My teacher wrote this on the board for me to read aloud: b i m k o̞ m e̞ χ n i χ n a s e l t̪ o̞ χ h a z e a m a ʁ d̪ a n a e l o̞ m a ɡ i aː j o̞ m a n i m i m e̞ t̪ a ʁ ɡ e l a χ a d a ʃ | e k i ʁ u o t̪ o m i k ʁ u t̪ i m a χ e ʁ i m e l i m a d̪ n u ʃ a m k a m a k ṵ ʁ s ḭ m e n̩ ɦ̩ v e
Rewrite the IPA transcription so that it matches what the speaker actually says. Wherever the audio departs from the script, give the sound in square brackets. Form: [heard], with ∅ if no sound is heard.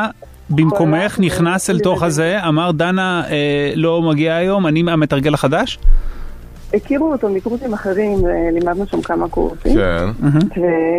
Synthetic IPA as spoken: b i m k o̞ m e̞ χ n i χ n a s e l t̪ o̞ χ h a z e a m a ʁ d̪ a n a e l o̞ m a ɡ i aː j o̞ m a n i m [a] m e̞ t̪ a ʁ ɡ e l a χ a d a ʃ | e k i ʁ u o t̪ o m i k ʁ u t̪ i m a χ e ʁ i m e l i m a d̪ n u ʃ a m k a m a k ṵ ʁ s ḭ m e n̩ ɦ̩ v e